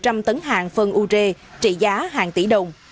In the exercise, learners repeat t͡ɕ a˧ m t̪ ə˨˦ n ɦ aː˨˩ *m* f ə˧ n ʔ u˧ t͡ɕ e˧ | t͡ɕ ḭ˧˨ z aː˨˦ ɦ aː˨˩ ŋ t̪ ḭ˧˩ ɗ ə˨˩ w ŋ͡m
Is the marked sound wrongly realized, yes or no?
yes